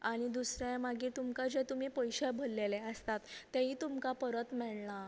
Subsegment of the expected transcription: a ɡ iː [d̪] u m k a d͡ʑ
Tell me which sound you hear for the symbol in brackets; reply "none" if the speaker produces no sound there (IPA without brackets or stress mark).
t̪